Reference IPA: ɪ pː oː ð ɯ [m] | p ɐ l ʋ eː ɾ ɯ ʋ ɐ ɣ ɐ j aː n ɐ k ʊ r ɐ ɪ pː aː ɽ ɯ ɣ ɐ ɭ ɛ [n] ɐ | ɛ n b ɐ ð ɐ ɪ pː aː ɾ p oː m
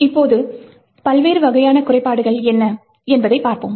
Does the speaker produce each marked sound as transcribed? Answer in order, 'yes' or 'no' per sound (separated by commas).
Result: no, no